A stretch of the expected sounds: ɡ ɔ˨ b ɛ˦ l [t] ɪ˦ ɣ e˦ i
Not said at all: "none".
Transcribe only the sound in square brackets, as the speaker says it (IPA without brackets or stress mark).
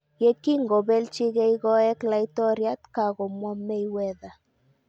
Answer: t͡ʃ